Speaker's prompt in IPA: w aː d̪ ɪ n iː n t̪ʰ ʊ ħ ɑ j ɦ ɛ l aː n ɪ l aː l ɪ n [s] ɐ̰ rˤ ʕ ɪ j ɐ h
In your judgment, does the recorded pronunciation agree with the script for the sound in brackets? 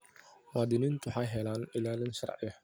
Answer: no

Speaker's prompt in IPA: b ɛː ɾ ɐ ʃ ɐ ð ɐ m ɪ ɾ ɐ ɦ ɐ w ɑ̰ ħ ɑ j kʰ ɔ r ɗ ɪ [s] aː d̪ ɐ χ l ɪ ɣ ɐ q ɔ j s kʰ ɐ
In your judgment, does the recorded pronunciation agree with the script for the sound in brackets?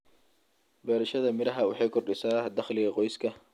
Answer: yes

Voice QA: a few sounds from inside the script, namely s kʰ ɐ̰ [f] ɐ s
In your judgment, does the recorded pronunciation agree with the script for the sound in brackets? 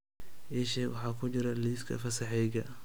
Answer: yes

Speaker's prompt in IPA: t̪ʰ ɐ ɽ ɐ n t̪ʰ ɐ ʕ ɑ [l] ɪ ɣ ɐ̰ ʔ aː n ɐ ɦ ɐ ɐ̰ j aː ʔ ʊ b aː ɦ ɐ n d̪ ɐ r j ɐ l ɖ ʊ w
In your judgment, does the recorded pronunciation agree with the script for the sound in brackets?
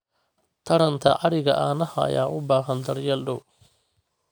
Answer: no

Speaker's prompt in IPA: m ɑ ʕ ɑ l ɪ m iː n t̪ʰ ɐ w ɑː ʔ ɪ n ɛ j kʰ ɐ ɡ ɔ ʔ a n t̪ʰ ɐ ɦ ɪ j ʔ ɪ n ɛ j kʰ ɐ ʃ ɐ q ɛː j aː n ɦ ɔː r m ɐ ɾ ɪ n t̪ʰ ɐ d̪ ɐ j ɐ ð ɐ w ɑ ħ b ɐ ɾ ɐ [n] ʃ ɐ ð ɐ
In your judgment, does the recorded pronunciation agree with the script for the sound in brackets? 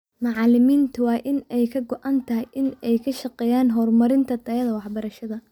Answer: no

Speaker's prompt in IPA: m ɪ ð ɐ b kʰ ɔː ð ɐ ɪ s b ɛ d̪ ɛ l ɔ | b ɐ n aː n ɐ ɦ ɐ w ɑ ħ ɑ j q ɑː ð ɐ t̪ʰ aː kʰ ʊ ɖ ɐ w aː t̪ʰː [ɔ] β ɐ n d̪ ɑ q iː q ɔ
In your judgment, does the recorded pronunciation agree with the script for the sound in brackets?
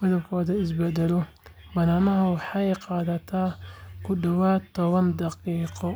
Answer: yes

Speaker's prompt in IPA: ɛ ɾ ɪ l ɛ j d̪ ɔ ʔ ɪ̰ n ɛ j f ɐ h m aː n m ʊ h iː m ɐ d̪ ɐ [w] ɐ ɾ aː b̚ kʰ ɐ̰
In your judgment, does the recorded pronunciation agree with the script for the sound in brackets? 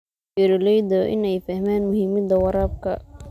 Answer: yes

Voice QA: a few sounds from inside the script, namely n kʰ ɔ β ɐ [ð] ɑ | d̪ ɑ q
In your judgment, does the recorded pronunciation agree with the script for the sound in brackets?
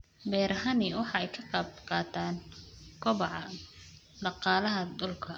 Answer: no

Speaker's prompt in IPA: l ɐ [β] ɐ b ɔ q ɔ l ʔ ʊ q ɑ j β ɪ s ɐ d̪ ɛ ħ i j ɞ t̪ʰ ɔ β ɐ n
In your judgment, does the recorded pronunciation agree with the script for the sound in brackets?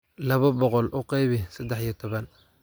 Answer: yes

